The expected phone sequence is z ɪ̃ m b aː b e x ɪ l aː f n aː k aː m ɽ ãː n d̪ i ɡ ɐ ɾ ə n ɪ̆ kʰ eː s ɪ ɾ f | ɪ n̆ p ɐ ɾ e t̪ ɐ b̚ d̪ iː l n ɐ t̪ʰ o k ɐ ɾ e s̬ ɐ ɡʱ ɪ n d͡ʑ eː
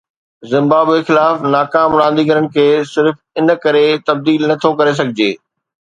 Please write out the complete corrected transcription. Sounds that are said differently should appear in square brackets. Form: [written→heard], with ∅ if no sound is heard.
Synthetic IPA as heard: z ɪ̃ m b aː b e x ɪ l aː f n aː k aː m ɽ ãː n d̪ i ɡ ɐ ɾ ə n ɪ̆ kʰ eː s ɪ ɾ f | ɪ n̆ [p→k] ɐ ɾ e t̪ ɐ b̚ d̪ iː l n ɐ t̪ʰ o k ɐ ɾ e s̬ ɐ ɡʱ ɪ [n→∅] d͡ʑ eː